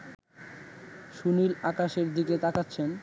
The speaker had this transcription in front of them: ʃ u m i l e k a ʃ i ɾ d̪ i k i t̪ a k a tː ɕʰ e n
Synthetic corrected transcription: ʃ u n i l a k a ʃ e ɾ d̪ i k e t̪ a k a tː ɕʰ e n